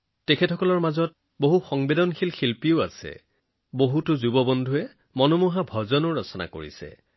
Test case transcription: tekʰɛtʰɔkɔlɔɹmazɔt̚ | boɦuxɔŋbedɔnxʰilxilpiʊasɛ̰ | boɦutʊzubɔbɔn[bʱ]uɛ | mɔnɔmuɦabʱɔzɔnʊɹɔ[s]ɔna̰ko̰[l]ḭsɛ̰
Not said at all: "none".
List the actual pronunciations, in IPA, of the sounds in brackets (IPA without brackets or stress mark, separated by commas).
dʱ, s, ɹ